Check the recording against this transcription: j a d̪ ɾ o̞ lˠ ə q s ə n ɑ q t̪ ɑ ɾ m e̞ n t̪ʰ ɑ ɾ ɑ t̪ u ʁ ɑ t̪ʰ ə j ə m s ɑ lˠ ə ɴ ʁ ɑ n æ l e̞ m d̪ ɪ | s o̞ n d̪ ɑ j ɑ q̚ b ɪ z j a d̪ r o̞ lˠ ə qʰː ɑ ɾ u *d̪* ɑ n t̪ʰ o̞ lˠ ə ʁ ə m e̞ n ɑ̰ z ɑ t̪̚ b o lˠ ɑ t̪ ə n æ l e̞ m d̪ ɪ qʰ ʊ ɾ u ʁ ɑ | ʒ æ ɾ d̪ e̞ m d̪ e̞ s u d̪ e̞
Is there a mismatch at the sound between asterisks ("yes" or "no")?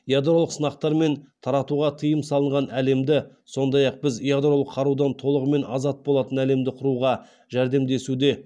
no